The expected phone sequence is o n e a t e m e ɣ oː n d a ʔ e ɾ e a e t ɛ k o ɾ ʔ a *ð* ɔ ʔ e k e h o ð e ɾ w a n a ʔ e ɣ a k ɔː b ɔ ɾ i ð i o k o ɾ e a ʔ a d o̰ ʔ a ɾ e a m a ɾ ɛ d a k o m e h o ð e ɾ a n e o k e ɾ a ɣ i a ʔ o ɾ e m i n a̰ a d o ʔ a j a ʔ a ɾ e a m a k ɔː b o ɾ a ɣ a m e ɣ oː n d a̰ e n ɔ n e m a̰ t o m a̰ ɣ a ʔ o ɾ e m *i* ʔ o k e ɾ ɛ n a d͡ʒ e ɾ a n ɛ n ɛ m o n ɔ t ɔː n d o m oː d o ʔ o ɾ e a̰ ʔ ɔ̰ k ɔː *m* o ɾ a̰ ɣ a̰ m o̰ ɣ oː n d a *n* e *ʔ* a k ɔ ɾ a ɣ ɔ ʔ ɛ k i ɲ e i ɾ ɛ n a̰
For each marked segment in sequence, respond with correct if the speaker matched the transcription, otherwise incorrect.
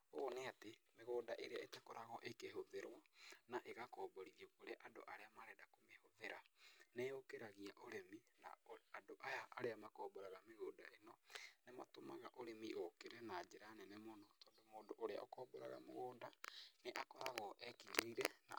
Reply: incorrect: ɣ, correct, incorrect: b, correct, correct

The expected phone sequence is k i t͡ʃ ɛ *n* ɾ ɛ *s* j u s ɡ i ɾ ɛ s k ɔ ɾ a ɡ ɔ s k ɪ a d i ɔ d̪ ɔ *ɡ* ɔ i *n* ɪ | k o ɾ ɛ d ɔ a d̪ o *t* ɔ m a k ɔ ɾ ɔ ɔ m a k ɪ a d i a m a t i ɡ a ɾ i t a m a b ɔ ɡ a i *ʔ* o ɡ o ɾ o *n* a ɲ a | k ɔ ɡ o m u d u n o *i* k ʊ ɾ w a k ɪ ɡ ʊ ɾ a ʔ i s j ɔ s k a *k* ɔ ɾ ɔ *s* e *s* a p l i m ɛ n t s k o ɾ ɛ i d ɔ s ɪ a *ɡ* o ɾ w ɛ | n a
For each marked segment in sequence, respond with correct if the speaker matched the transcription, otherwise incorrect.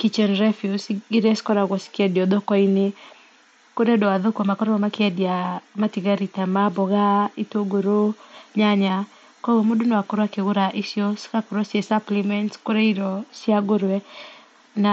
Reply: correct, incorrect: f, incorrect: k, correct, incorrect: k, incorrect: t, incorrect: ɲ, incorrect: a, correct, correct, correct, correct

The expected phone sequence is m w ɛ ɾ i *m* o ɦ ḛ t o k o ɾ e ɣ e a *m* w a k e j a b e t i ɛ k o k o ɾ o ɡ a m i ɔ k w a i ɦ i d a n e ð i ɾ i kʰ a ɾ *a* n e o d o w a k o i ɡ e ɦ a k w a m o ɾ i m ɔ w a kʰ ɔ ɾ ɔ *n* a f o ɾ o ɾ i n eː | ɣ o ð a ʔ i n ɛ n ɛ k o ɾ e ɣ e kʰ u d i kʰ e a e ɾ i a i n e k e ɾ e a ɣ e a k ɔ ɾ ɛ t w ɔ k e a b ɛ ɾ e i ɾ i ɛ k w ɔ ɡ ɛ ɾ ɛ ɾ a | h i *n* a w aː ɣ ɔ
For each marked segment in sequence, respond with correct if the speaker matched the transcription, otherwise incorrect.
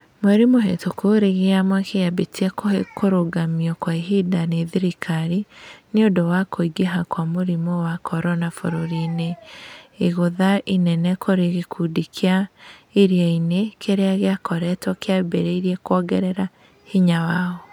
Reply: correct, correct, incorrect: i, correct, incorrect: ɲ

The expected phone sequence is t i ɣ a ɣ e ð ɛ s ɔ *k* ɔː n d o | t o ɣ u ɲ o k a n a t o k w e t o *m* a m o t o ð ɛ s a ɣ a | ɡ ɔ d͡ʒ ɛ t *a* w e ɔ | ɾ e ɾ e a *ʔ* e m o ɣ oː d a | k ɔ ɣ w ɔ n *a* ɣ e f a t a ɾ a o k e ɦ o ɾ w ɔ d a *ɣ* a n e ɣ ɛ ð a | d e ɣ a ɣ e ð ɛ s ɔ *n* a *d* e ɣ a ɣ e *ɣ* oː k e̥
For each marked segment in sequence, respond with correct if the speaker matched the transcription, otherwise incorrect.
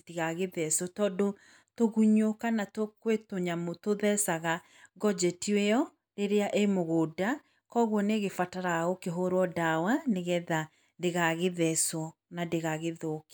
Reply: incorrect: t, incorrect: ɲ, incorrect: i, correct, incorrect: e, incorrect: w, correct, correct, incorrect: ð

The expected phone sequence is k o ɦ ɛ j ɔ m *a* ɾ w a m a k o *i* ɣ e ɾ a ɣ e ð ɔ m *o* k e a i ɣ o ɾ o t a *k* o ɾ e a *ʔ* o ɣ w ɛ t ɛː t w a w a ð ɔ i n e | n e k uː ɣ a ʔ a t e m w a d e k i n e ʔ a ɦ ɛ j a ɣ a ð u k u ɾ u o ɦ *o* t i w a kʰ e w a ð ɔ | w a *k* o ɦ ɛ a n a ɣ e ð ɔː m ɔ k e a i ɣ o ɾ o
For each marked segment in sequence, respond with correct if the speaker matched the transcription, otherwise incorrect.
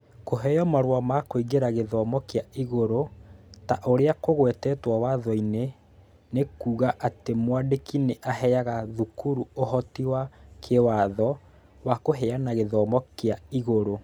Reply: correct, correct, incorrect: ɔ, incorrect: ʔ, incorrect: k, incorrect: ɔ, correct

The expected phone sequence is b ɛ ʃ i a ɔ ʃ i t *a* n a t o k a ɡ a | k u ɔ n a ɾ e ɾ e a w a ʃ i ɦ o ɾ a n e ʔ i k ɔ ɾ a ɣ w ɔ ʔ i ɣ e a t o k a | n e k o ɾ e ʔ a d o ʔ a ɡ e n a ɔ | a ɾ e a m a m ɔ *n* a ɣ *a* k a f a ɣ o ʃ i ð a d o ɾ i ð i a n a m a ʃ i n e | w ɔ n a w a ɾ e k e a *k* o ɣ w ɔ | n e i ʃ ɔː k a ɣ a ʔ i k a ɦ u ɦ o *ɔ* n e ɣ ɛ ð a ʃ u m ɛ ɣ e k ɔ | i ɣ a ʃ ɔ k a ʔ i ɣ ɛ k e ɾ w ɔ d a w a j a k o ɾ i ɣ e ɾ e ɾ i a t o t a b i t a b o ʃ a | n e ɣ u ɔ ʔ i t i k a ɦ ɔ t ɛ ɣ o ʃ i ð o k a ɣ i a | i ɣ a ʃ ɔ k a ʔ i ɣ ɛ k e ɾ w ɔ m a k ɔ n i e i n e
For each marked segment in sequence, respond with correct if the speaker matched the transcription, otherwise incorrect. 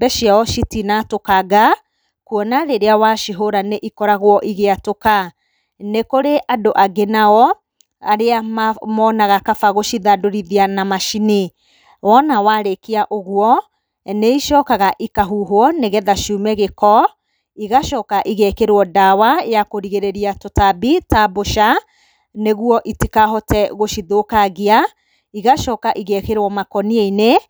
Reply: incorrect: i, correct, correct, incorrect: ʔ, correct

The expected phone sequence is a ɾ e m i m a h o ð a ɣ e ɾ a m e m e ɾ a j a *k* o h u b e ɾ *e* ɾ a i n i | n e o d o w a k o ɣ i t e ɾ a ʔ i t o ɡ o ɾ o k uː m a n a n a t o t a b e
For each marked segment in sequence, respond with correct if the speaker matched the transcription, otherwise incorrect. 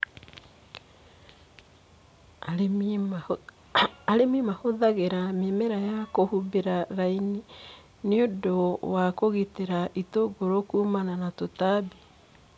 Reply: correct, incorrect: a

